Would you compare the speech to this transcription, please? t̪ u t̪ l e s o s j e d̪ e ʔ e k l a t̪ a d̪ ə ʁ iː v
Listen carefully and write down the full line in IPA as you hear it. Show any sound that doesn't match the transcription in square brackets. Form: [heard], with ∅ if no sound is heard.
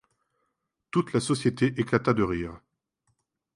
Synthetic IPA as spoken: t̪ u t̪ l [a] s [ɔ] s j e [t̪] e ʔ e k l a t̪ a d̪ ə ʁ iː [ʁ]